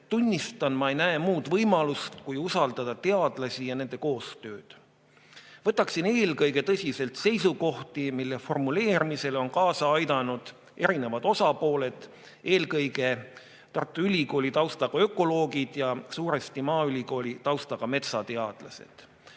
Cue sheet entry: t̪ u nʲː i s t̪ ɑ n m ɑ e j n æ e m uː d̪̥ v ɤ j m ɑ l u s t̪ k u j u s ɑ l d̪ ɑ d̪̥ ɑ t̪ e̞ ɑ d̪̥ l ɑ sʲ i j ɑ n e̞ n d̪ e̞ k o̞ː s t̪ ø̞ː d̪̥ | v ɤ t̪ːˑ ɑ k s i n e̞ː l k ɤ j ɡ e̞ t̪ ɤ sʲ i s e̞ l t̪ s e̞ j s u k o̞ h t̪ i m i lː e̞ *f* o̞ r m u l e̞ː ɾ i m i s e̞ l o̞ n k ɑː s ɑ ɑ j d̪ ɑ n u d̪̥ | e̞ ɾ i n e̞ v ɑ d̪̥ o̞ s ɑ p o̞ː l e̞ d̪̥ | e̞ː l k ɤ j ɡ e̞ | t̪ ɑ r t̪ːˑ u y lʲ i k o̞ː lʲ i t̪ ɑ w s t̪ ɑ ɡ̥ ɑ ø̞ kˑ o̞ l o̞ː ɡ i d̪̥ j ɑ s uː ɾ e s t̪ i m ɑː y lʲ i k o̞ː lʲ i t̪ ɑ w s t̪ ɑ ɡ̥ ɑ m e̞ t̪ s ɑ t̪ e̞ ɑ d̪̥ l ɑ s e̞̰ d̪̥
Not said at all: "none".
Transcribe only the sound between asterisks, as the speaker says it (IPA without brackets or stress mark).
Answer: f